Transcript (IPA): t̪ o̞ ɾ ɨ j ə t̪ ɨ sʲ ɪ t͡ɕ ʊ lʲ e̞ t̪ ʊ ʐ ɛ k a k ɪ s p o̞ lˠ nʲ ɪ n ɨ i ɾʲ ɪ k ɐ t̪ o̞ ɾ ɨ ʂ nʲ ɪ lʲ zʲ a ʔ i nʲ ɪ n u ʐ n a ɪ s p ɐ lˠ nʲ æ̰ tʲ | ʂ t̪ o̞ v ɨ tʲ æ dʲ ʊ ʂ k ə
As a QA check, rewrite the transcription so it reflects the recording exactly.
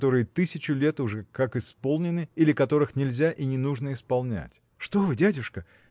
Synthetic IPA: t̪ o̞ ɾ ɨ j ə t̪ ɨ sʲ ɪ t͡ɕ ʊ lʲ e̞ t̪ ʊ ʐ ɛ k a k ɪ s p o̞ lˠ nʲ ɪ n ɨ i lʲ ɪ k ɐ t̪ o̞ ɾ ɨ x nʲ ɪ lʲ zʲ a ʔ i nʲ ɪ n u ʐ n ə ɪ s p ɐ lˠ nʲ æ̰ tʲ | ʂ t̪ o̞ v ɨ dʲ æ dʲ ʊ ʂ k ə

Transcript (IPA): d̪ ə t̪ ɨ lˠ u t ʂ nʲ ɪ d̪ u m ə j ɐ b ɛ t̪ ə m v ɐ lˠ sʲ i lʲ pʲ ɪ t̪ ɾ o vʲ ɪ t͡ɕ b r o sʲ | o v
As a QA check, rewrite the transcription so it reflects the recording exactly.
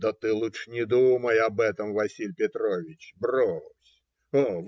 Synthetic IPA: d̪ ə t̪ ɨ lˠ u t ʂ nʲ ɪ d̪ u m ə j ɐ b ɛ t̪ ə m v ɐ sʲ i lʲ pʲ ɪ t̪ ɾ o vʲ ɪ t͡ɕ b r o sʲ | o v

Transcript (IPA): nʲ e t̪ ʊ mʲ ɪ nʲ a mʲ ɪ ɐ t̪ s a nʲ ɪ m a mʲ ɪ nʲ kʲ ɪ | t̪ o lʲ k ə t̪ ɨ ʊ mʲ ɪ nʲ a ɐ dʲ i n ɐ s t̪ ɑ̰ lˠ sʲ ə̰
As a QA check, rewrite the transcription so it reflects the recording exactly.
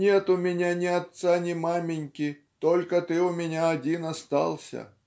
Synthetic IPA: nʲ e t̪ ʊ mʲ ɪ nʲ a nʲ ɪ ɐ t̪ s a nʲ ɪ m a mʲ ɪ nʲ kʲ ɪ | t̪ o lʲ k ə t̪ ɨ ʊ mʲ ɪ nʲ a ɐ dʲ i n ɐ s t̪ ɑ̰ lˠ sʲ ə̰

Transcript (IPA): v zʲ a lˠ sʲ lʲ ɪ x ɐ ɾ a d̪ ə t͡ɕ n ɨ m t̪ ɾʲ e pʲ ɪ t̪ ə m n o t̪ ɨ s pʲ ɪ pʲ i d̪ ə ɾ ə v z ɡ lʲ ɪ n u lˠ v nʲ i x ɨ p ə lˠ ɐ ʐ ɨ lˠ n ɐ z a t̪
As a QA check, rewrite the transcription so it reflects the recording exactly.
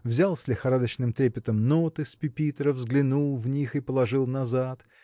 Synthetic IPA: v zʲ a lˠ sʲ lʲ ɪ x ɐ ɾ a d̪ ə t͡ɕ n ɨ m t̪ ɾʲ e pʲ ɪ t̪ ə m n o t̪ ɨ s pʲ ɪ pʲ i t̪ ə ɾ ə v z ɡ lʲ ɪ n u lˠ v nʲ i x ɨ p ə lˠ ɐ ʐ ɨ lˠ n ɐ z a t̪

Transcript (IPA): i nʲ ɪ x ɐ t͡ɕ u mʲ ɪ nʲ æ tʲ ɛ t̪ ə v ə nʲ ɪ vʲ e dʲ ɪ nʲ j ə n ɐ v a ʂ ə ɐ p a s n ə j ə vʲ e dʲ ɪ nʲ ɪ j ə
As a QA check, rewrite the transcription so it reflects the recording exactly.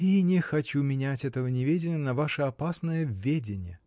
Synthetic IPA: i nʲ ɪ x ɐ t͡ɕ u mʲ ɪ nʲ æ tʲ ɛ t̪ ə v ə nʲ ɪ vʲ e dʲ ɪ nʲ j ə n ɐ v a ʂ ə ɐ p a s n ə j ə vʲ e dʲ ɪ nʲ ɪ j ə

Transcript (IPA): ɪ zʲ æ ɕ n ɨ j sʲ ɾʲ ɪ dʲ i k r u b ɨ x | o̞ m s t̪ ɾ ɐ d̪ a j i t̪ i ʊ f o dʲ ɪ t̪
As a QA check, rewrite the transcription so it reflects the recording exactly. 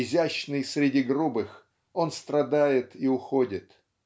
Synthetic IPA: ɪ zʲ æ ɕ n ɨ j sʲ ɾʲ ɪ dʲ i ɡ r u b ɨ x | o̞ n s t̪ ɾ ɐ d̪ a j ɪ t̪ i ʊ x o dʲ ɪ t̪

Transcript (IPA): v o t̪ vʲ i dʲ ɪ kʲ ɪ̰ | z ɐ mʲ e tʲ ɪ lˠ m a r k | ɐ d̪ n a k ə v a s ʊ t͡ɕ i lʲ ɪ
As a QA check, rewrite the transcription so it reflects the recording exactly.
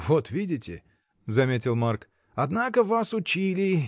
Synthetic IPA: v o t̪ vʲ i dʲ ɪ tʲ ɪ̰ | z ɐ mʲ e tʲ ɪ lˠ m a r k | ɐ d̪ n a k ə v a s ʊ t͡ɕ i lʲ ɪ

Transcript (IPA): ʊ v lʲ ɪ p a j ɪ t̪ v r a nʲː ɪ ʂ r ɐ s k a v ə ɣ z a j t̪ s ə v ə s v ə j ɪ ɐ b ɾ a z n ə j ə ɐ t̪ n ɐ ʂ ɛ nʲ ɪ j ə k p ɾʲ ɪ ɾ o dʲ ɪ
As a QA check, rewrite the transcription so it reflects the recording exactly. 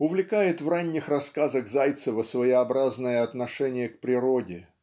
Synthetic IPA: ʊ v lʲ ɪ k a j ɪ t̪ v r a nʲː ɪ x r ɐ s k a z ə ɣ z a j t̪ s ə v ə s v ə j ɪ ɐ b ɾ a z n ə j ə ɐ t̪ n ɐ ʂ ɛ nʲ ɪ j ə k p ɾʲ ɪ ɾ o dʲ ɪ

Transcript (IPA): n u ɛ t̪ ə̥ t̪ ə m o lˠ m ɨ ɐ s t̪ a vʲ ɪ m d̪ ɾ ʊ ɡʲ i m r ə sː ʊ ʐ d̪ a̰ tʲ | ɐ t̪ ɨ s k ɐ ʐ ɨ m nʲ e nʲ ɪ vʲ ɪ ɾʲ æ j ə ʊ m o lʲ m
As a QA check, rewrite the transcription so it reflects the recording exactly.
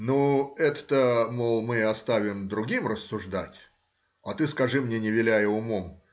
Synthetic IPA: n u ɛ t̪ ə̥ t̪ ə m o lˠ m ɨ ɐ s t̪ a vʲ ɪ m d̪ ɾ ʊ ɡʲ i m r ə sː ʊ ʐ d̪ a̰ tʲ | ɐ t̪ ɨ s k ɐ ʐ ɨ m nʲ e nʲ ɪ vʲ ɪ lʲ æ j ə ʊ m o m

